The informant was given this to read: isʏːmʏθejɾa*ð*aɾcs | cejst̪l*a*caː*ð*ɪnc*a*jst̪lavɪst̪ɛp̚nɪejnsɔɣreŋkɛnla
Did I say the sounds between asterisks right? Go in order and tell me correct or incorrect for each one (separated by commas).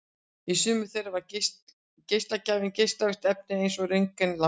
incorrect, correct, incorrect, incorrect